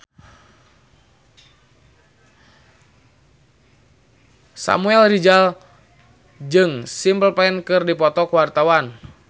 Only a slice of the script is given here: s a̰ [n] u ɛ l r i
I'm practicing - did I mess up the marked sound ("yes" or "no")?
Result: yes